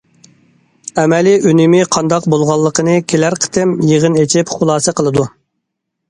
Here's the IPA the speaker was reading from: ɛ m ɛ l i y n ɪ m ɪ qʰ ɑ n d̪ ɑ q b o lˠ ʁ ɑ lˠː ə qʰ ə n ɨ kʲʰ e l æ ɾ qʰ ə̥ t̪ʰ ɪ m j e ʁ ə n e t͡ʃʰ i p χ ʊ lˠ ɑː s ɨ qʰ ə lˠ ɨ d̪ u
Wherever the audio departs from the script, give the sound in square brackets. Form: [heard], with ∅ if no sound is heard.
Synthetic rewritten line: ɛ m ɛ l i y n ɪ m ɪ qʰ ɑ n d̪ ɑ q b o lˠ ʁ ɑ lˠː ə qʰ ə n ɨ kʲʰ e l æ ɾ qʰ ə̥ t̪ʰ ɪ m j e ʁ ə n e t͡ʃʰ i p χ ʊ lˠ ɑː s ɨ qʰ ə lˠ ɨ d̪ u